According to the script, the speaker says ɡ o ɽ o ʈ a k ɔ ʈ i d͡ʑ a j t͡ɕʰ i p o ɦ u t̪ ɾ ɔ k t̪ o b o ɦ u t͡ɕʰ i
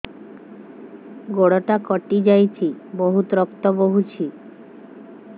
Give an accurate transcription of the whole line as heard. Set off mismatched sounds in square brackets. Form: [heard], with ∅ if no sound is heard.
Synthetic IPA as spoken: ɡ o ɽ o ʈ a k ɔ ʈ i d͡ʑ a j t͡ɕʰ i [b] o ɦ u t̪ ɾ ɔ k t̪ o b o ɦ u t͡ɕʰ i